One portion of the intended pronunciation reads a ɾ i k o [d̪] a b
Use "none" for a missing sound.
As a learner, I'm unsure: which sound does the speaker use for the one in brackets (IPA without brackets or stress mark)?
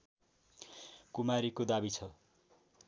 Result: d̪